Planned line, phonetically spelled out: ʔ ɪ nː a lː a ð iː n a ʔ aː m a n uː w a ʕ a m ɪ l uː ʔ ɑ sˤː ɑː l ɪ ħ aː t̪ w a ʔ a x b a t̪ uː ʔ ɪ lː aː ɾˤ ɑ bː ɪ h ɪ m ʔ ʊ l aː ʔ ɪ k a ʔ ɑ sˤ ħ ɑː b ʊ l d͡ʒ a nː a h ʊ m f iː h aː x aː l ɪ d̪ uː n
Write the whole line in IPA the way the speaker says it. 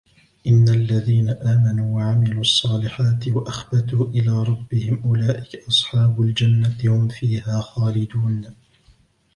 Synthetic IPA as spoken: ʔ ɪ nː a lː a ð iː n a ʔ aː m a n uː w a ʕ a m ɪ l uː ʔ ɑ sˤː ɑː l ɪ ħ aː t̪ w a ʔ a x b a t̪ uː ʔ ɪ l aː ɾˤ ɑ bː ɪ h ɪ m ʔ ʊ l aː ʔ ɪ k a ʔ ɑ sˤ ħ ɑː b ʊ l d͡ʒ a nː a h ʊ m f iː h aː x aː l ɪ d̪ uː n